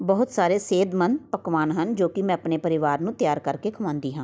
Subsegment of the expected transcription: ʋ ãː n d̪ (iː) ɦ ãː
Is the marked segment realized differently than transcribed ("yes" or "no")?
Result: no